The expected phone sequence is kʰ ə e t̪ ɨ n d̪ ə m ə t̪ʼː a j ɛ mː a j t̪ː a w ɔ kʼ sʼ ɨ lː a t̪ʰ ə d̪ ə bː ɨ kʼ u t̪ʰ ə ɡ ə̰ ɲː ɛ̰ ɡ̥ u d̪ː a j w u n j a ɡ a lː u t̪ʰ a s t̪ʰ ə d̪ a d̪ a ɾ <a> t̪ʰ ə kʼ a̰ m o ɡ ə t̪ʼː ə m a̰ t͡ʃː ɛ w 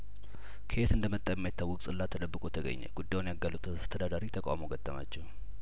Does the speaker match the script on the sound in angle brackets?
no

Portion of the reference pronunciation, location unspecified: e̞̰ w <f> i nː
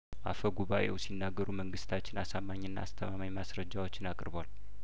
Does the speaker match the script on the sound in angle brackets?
no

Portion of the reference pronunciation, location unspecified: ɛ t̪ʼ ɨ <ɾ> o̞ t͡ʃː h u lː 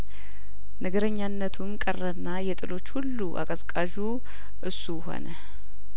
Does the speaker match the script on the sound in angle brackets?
no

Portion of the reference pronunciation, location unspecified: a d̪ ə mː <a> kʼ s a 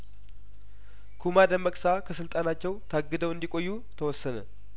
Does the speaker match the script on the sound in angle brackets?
no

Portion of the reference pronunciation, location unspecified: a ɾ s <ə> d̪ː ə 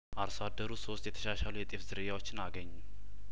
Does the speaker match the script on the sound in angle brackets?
no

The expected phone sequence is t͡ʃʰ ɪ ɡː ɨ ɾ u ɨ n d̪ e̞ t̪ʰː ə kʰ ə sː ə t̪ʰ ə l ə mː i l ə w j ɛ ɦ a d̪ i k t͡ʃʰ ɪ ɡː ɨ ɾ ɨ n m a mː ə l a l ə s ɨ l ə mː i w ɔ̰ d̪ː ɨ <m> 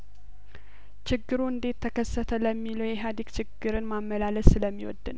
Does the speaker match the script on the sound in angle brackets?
no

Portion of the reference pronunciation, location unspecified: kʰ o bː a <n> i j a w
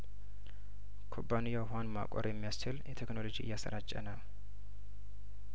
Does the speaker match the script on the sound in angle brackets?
yes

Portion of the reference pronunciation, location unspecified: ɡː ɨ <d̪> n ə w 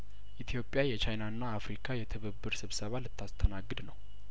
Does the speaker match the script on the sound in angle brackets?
yes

